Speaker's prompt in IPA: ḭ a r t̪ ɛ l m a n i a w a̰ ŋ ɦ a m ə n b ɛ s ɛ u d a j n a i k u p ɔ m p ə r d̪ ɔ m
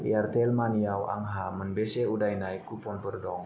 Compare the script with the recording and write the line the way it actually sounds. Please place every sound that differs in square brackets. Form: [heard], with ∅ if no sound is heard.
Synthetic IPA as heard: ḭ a r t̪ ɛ l m a n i a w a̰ ŋ ɦ a m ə n b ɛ s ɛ u d a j n a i k u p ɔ [n] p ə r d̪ ɔ [ŋ]